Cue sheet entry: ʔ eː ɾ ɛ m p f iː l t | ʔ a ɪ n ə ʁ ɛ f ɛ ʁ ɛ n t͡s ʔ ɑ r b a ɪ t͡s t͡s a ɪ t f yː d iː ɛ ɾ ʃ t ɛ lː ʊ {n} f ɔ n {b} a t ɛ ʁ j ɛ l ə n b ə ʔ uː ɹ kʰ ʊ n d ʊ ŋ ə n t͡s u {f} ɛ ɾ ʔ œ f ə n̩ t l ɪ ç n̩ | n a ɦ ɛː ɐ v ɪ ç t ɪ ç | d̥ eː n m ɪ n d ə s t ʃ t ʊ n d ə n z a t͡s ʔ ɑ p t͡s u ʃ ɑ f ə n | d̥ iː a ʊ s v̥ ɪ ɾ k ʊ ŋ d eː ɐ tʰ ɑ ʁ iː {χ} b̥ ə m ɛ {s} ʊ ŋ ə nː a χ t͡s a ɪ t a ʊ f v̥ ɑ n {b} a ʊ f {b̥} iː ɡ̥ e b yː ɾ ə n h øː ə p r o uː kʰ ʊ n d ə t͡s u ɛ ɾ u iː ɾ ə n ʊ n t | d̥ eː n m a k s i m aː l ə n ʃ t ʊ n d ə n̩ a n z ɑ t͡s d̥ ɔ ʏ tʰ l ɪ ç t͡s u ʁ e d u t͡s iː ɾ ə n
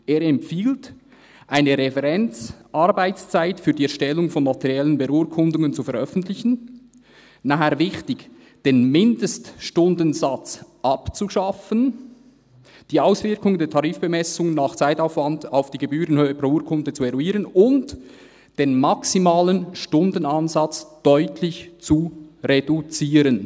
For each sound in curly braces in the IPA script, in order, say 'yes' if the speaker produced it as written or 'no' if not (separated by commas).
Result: no, no, yes, no, yes, no, no